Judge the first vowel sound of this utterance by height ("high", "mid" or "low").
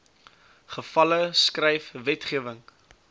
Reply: mid